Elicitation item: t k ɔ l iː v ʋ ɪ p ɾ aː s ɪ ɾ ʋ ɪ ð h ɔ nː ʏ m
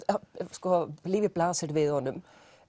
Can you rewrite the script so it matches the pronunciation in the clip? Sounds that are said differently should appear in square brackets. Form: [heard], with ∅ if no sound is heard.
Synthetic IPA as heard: [s] k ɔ l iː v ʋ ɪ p [l] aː s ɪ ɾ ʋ ɪ ð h ɔ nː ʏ m